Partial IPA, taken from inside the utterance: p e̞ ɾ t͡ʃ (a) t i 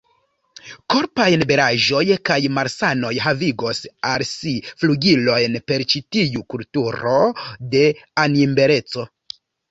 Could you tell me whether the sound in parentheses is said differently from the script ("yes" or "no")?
yes